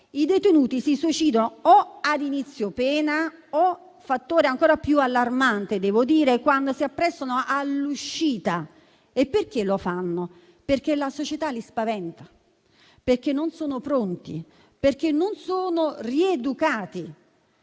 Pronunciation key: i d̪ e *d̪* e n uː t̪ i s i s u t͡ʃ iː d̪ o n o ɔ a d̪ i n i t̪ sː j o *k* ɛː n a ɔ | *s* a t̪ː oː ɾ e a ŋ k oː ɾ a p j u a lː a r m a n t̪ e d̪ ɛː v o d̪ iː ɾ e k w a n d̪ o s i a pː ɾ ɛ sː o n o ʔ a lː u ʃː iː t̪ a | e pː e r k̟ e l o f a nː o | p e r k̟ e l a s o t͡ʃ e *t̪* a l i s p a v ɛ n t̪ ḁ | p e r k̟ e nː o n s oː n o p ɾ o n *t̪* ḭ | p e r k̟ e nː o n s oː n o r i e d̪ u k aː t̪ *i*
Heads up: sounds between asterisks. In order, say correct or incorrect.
incorrect, incorrect, incorrect, correct, correct, correct

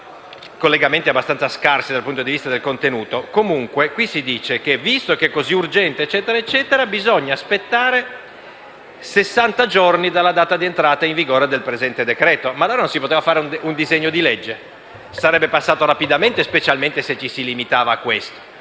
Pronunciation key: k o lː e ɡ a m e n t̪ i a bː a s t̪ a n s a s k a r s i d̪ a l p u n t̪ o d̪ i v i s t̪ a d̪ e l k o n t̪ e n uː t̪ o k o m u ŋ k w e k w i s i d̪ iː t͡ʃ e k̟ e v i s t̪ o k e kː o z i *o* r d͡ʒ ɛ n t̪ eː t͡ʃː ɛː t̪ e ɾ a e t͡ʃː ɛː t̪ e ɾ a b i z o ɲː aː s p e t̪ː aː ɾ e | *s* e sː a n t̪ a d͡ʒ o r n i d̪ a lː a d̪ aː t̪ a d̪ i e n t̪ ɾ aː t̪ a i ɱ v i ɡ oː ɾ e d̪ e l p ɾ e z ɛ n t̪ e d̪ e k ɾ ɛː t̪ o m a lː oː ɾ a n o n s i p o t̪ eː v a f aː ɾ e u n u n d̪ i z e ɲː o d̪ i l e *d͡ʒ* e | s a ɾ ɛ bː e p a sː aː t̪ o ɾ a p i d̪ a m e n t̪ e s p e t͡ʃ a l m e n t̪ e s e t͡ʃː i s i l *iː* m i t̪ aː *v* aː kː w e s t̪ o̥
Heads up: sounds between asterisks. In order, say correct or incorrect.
incorrect, correct, incorrect, incorrect, correct

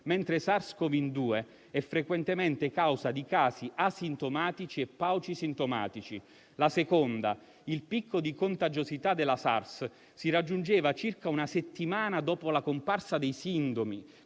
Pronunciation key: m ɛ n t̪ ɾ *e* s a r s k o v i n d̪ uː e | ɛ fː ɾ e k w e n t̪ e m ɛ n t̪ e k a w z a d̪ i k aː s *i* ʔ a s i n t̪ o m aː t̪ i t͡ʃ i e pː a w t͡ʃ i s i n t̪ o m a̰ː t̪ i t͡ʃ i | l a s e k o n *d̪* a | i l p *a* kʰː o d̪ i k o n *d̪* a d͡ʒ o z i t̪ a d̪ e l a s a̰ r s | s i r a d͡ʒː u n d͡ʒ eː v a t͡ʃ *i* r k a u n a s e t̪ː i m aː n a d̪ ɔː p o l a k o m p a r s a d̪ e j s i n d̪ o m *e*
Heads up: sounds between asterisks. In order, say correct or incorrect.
correct, correct, correct, incorrect, incorrect, correct, incorrect

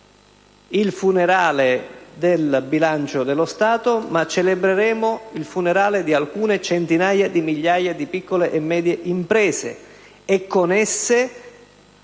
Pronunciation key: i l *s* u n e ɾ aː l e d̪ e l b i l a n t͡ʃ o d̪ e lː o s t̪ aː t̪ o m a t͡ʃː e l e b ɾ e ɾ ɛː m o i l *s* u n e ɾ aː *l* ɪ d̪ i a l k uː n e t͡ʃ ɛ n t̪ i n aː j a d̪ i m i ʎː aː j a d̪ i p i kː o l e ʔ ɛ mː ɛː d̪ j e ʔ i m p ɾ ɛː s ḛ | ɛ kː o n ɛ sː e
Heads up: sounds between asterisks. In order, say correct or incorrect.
incorrect, incorrect, correct

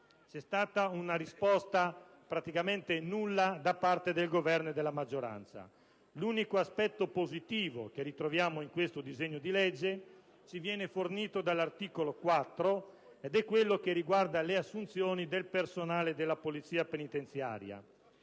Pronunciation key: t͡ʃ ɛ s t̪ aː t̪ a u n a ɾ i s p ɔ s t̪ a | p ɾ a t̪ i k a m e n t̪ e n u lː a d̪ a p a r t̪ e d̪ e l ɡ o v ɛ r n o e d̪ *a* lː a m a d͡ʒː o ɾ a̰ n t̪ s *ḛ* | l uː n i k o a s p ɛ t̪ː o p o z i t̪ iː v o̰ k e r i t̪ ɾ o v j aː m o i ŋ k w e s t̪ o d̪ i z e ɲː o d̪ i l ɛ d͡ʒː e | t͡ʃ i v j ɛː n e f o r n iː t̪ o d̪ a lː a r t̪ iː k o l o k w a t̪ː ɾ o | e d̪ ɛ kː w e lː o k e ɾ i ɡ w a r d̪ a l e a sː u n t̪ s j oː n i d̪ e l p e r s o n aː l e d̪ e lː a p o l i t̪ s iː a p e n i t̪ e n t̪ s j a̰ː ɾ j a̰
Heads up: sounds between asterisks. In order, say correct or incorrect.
incorrect, incorrect

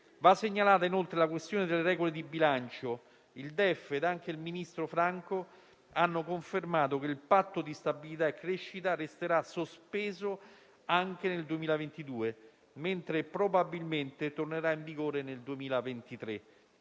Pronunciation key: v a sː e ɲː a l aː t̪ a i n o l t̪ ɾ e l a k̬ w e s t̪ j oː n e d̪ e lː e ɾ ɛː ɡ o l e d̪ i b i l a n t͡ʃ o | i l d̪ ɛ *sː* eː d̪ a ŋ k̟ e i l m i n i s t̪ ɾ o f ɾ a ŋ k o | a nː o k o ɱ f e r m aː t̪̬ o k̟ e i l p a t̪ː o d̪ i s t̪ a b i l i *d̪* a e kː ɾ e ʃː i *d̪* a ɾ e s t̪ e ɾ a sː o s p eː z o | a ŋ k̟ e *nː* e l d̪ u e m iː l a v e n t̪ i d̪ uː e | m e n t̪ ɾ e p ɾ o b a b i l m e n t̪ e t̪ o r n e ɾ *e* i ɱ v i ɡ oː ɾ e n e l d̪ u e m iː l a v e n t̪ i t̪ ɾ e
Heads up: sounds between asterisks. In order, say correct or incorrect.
incorrect, incorrect, incorrect, incorrect, incorrect

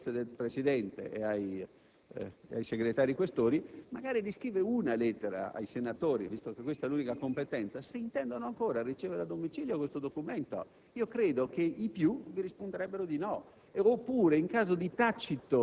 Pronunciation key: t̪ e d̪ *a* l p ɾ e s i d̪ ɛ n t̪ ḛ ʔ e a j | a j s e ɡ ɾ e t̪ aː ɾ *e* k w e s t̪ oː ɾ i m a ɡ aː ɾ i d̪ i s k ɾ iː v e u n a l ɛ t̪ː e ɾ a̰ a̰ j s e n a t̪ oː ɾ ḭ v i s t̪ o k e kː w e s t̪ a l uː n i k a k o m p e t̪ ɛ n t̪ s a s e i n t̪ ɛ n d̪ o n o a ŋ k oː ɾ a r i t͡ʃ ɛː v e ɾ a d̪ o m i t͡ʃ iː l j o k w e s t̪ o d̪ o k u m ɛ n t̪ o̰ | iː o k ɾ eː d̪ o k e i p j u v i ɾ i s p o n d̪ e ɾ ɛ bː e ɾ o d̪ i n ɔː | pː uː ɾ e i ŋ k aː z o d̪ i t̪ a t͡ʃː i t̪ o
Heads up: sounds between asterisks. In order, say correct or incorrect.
incorrect, incorrect

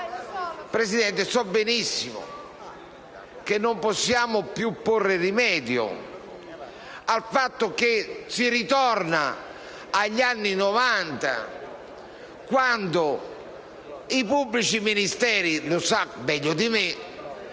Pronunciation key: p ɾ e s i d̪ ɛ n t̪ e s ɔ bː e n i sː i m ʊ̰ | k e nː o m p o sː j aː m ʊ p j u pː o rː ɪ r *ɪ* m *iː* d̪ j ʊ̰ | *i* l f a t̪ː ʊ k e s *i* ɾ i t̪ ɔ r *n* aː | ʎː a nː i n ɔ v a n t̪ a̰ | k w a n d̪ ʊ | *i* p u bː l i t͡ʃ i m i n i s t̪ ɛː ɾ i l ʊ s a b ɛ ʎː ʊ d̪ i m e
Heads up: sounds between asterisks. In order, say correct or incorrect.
incorrect, incorrect, incorrect, correct, correct, correct

